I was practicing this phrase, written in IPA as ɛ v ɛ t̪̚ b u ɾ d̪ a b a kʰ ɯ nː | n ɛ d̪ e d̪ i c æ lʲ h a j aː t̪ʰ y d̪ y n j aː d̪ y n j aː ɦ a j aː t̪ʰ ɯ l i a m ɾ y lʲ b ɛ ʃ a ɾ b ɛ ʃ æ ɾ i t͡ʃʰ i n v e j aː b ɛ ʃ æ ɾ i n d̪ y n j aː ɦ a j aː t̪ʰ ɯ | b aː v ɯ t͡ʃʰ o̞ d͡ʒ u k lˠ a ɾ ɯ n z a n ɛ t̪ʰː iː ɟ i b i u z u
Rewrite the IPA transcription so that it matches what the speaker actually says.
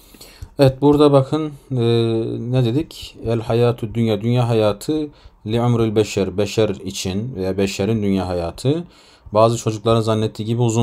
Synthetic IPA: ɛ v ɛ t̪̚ b u ɾ d̪ a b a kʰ ɯ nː | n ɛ d̪ e d̪ i c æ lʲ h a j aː t̪ʰ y d̪ y n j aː d̪ y n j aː ɦ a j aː t̪ʰ ɯ l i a m ɾ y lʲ b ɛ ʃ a ɾ b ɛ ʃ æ ɾ i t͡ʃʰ i n v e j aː b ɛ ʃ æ ɾ i n d̪ y n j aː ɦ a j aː t̪ʰ ɯ | b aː z ɯ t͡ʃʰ o̞ d͡ʒ u k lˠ a ɾ ɯ n z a nː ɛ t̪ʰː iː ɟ i b i u z u